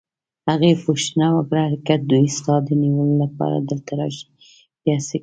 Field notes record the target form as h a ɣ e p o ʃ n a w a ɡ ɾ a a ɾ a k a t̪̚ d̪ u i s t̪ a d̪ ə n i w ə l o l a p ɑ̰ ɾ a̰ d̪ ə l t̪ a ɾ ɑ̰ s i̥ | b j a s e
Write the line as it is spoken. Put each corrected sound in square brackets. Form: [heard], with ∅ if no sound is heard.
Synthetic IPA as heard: h a ɣ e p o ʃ n a w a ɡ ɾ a a ɾ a k a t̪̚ d̪ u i s t̪ [ɑ] d̪ ə n i w ə l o l a p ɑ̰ ɾ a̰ d̪ ə l t̪ a ɾ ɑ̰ [ʃ] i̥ | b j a s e